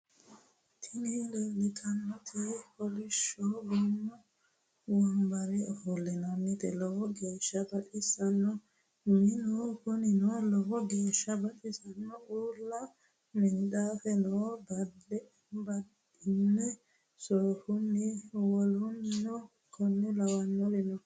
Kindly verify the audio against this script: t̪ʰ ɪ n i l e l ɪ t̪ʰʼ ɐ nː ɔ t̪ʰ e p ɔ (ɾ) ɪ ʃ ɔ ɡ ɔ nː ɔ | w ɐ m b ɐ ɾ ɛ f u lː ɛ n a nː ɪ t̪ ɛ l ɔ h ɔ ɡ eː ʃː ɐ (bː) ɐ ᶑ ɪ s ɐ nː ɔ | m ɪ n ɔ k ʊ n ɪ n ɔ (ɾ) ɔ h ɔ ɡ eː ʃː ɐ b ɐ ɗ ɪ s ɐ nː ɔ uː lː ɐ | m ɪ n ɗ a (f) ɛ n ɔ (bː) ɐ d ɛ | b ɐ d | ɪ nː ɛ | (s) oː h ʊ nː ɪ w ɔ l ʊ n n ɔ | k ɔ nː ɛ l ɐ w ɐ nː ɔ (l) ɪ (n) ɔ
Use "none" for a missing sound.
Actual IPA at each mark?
l, b, l, f, b, s, l, n

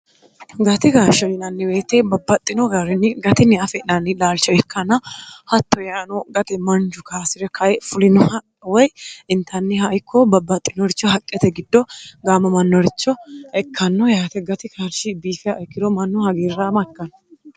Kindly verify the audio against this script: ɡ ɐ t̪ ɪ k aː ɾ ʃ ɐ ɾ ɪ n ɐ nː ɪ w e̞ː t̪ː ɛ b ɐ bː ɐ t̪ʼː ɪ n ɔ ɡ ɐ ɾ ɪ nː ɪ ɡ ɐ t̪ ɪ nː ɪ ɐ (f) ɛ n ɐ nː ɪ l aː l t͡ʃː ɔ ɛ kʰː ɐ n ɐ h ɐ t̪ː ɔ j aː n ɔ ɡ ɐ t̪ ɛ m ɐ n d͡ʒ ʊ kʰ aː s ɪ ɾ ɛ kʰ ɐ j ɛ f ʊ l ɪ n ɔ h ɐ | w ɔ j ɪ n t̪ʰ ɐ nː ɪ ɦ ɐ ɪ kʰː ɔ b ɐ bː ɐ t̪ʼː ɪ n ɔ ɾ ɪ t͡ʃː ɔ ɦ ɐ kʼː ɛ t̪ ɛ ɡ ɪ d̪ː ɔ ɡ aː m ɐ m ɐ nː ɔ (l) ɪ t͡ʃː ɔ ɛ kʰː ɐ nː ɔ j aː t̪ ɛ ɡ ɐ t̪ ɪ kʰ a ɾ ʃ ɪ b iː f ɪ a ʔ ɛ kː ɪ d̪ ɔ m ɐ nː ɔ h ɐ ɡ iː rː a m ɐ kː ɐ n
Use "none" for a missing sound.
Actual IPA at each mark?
f, ɾ

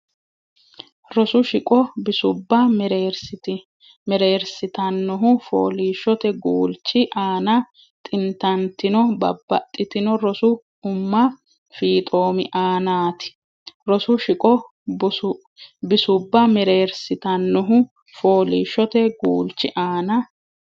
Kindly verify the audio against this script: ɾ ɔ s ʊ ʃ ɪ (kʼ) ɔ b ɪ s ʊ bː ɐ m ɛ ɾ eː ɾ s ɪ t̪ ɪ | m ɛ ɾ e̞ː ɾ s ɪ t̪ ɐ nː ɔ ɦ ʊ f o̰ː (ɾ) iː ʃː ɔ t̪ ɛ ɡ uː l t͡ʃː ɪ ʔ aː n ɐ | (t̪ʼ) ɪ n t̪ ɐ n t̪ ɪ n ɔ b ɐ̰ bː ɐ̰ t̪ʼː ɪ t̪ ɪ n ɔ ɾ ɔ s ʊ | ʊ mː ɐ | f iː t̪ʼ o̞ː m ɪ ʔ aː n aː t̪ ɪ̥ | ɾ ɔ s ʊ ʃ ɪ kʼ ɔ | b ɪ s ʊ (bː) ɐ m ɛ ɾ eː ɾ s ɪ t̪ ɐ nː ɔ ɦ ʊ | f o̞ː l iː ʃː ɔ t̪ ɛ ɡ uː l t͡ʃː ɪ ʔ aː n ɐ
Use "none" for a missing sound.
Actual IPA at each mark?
kʼ, l, t̪ʼ, bː

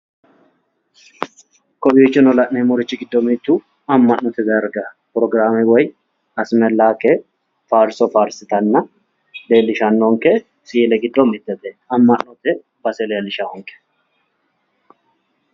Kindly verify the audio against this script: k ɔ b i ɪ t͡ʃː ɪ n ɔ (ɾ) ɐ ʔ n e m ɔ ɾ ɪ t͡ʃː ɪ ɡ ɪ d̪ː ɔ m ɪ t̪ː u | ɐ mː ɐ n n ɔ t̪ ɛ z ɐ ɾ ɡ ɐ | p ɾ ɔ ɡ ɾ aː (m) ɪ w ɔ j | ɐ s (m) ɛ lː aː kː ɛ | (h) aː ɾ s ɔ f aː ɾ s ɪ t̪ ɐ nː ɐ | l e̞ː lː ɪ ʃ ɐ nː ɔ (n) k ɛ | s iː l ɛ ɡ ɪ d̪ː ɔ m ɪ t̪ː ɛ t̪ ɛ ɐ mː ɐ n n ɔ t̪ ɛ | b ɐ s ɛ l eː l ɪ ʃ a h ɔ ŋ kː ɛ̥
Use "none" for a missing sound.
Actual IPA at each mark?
l, m, m, f, ŋ

